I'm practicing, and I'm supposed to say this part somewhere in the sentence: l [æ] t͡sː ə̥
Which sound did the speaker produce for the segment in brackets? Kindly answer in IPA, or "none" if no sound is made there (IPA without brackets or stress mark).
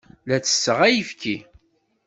æ